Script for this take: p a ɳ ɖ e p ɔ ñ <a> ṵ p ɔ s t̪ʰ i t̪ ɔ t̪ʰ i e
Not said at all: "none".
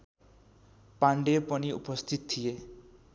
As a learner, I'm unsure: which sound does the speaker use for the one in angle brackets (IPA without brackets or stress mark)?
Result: i